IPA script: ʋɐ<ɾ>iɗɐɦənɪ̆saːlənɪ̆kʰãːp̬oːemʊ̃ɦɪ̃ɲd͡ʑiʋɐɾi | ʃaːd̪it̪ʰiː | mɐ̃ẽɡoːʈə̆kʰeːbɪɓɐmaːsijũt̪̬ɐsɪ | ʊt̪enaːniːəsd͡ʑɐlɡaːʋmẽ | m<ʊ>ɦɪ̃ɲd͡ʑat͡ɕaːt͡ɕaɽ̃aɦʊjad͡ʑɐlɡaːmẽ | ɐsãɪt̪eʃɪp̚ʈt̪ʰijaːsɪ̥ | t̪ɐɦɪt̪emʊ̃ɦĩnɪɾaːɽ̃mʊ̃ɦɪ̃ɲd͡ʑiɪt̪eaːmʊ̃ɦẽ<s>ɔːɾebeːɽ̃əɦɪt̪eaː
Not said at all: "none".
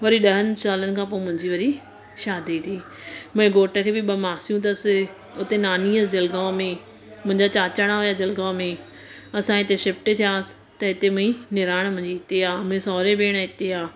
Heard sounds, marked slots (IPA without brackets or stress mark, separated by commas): ɾ, ʊ̃, s